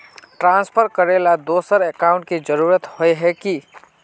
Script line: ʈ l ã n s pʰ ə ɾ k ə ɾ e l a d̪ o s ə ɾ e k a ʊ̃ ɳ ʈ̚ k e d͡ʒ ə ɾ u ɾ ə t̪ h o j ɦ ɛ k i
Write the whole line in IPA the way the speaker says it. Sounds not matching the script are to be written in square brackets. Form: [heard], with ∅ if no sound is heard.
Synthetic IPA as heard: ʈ [ɾ] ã n s pʰ ə ɾ k ə ɾ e l a d̪ o s ə ɾ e k a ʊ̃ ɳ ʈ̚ k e d͡ʒ ə ɾ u ɾ ə t̪ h o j ɦ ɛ k i